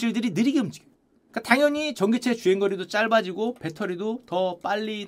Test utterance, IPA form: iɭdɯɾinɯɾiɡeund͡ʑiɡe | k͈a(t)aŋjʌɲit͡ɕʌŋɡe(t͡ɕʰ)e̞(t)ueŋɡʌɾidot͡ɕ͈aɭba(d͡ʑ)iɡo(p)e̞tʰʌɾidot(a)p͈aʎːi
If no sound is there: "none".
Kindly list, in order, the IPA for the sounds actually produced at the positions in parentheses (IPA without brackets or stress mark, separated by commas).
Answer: t, t͡ɕʰ, t͡ɕ, d͡ʑ, p, ʌ